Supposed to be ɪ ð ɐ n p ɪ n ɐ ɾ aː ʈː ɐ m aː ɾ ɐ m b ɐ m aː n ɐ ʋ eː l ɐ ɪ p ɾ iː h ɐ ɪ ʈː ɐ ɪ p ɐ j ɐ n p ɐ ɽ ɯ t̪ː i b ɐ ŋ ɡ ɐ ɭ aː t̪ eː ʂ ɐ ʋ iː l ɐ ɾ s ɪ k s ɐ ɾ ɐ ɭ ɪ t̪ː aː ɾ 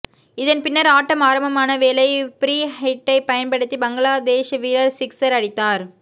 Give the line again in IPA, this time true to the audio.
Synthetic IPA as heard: ɪ ð ɐ n p ɪ nː ɐ ɾ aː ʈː ɐ m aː ɾ ɐ m b ɐ m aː n ɐ ʋ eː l ɐ ɪ p ɾ iː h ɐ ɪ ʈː ɐ ɪ p ɐ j ɐ n p ɐ ɽ ɯ t̪ː i b ɐ ŋ ɡ ɐ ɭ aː d̪ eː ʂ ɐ ʋ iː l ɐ ɾ s ɪ k s ɐ ɾ ɐ ɽ ɪ t̪ː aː ɾ